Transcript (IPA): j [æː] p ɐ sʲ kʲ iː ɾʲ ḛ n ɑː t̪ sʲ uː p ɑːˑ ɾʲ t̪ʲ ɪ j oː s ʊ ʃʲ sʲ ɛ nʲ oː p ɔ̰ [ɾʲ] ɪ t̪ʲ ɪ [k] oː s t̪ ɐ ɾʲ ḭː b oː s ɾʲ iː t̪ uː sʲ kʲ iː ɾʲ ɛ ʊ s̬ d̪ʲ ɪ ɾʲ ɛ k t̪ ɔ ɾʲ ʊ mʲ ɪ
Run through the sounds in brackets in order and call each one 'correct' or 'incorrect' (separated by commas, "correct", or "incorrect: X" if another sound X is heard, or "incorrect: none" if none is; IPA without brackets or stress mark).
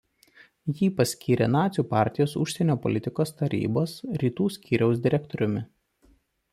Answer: incorrect: iː, incorrect: lʲ, correct